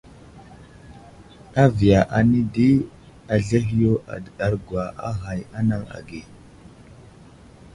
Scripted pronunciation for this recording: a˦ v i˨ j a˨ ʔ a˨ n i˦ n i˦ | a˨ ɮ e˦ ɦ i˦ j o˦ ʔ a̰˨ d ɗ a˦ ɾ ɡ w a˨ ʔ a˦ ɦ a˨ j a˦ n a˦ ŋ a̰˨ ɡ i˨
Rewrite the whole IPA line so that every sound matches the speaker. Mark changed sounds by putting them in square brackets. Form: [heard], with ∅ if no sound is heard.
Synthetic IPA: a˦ v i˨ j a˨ ʔ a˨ n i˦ [d] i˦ | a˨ ɮ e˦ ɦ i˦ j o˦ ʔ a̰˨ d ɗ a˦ ɾ ɡ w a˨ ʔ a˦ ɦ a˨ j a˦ n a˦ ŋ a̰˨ ɡ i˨